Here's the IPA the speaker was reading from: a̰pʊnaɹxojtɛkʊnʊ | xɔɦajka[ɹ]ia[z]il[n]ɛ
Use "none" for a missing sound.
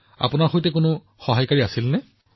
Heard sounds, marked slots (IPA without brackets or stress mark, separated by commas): ɹ, s, n